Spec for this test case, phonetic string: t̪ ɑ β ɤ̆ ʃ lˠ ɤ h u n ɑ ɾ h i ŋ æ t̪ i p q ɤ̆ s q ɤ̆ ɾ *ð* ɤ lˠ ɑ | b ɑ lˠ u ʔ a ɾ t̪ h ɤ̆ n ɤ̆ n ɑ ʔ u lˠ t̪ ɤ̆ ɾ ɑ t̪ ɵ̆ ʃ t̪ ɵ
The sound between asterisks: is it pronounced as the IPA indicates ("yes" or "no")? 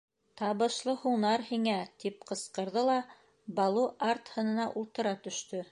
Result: yes